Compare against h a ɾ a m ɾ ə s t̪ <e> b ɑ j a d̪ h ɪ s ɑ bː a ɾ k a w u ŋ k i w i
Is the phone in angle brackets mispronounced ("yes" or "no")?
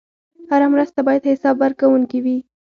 yes